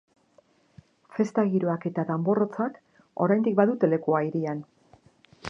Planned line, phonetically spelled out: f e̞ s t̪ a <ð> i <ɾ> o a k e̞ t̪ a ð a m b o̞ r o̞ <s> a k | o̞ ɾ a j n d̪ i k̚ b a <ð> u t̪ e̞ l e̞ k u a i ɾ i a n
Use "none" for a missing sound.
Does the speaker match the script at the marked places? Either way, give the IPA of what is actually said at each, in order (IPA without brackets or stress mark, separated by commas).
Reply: ɣ, ɾ, t͡s, ð